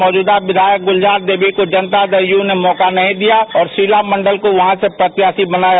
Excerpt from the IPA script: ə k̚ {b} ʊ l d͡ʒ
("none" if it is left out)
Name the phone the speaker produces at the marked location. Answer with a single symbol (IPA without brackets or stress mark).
ɡ